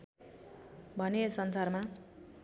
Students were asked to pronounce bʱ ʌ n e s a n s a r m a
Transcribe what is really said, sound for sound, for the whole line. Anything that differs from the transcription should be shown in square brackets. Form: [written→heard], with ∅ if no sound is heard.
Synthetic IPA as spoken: bʱ ʌ n e s [a→ʌ] n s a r m a